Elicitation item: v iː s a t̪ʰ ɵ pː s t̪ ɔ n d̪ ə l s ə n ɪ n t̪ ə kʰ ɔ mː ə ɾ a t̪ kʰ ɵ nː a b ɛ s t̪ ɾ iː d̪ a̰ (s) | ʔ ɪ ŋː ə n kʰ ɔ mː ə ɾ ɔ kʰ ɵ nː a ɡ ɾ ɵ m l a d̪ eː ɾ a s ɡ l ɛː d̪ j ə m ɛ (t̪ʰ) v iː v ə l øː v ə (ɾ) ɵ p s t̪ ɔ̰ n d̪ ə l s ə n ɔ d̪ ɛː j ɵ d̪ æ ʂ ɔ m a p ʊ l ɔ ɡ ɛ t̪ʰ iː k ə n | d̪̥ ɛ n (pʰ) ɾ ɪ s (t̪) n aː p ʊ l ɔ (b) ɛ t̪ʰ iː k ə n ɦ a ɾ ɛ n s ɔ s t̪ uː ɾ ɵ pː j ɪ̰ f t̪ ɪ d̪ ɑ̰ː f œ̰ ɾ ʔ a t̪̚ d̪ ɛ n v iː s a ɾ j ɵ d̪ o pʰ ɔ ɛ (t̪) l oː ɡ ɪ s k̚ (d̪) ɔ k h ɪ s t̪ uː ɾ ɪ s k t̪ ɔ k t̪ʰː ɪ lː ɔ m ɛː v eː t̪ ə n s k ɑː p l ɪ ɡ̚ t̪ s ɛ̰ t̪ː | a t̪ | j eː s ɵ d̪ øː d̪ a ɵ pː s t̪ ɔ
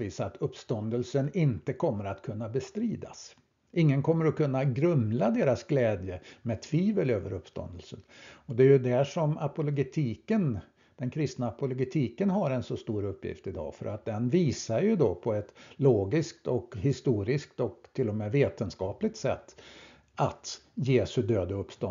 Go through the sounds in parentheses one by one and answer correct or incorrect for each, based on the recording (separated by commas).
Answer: correct, correct, correct, incorrect, correct, incorrect, correct, incorrect